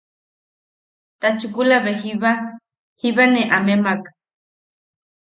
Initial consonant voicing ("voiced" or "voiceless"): voiceless